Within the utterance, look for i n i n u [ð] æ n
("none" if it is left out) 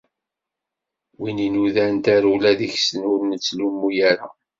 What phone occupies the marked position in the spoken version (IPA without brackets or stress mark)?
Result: ð